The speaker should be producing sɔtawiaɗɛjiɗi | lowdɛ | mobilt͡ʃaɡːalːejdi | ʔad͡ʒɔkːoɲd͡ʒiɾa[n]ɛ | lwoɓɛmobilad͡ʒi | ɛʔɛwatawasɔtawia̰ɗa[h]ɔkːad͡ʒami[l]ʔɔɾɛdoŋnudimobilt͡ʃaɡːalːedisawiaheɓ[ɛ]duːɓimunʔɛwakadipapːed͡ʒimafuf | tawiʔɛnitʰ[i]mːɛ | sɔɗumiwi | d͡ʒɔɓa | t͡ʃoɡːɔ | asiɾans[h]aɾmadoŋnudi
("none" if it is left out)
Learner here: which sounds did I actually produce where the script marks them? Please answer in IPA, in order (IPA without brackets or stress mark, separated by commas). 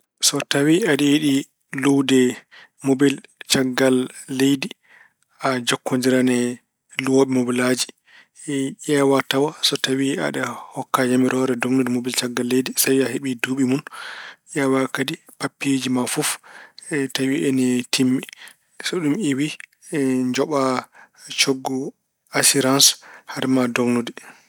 n, h, ɾ, i, i, h